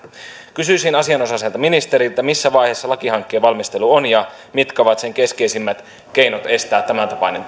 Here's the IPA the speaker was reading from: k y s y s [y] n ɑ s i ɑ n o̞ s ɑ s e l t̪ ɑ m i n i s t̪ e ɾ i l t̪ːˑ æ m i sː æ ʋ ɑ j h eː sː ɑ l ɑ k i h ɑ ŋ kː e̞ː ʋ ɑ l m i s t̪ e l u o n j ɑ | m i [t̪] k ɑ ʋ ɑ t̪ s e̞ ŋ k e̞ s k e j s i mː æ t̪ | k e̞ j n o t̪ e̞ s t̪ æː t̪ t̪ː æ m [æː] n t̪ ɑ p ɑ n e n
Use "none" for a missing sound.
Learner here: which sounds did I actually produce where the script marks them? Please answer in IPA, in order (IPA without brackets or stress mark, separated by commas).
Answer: i, t̪, æ